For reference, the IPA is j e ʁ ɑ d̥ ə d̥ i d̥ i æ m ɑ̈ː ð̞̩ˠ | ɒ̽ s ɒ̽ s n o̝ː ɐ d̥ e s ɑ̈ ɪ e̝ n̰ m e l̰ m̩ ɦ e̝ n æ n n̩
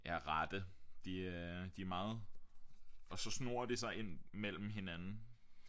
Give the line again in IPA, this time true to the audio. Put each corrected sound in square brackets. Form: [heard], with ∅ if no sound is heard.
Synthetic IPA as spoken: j [æ] ʁ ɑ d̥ ə d̥ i d̥ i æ m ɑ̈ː ð̞̩ˠ | ɒ̽ s ɒ̽ s n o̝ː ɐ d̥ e s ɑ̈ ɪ e̝ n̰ m e l̰ m̩ ɦ e̝ n æ n n̩